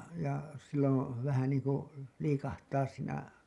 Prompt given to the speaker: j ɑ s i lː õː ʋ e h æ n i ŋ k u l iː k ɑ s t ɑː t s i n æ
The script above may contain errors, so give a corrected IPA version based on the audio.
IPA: j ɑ s i lː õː ʋ æ h æ n iː ŋ k u l iː k ɑ h t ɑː s s iː n æ